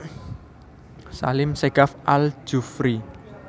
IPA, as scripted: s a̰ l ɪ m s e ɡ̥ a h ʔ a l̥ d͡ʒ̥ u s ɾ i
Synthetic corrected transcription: s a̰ l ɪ m s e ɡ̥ a f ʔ a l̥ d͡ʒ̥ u f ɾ i